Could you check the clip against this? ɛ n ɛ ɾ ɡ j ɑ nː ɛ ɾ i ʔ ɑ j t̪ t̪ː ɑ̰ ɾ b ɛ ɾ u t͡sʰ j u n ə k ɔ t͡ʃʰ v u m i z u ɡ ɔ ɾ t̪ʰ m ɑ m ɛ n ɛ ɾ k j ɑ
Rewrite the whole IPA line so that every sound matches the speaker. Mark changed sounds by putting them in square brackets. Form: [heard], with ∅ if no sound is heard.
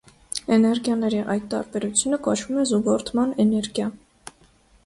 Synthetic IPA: ɛ n ɛ ɾ ɡ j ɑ [n] ɛ ɾ i ʔ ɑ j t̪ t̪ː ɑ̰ ɾ b ɛ ɾ u t͡sʰ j u n ə k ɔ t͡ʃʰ v u m [ɛ] z u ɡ ɔ ɾ t̪ʰ m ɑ [n] ɛ n ɛ ɾ [ɡ] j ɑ

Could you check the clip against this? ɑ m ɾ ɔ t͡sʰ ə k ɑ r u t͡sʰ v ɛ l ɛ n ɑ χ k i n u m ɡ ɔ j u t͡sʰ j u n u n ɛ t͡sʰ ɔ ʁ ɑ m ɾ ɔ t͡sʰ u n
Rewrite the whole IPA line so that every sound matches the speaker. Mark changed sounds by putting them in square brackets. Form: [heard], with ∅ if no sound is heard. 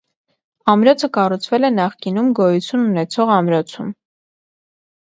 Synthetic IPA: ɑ m ɾ ɔ t͡sʰ ə k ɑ r u t͡sʰ v ɛ l ɛ n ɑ χ k i n u m ɡ ɔ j u t͡sʰ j u n u n ɛ t͡sʰ ɔ ʁ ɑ m ɾ ɔ t͡sʰ u [m]

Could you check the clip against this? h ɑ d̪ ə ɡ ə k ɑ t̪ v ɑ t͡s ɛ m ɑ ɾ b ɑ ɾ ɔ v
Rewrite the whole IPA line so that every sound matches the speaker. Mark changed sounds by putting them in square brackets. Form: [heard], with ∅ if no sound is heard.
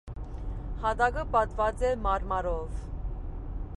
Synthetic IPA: h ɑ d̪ [ɑ] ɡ ə [p] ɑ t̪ v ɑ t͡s ɛ m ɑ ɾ [m] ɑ ɾ ɔ v

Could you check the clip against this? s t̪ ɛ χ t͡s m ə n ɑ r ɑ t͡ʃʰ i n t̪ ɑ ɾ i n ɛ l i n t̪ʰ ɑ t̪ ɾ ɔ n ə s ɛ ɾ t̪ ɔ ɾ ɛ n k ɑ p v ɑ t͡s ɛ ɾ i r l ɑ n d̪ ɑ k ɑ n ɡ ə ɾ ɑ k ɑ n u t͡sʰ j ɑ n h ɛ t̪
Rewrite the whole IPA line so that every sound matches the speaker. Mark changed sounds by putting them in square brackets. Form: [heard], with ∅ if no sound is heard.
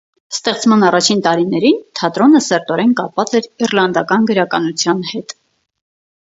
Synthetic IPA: s t̪ ɛ χ t͡s m [ɑ] n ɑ r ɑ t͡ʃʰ i n t̪ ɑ ɾ i n ɛ [ɾ] i n t̪ʰ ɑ t̪ ɾ ɔ n ə s ɛ ɾ t̪ ɔ ɾ ɛ n k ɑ p v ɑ t͡s ɛ ɾ i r l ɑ n d̪ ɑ k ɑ n ɡ ə ɾ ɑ k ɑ n u t͡sʰ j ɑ n h ɛ t̪

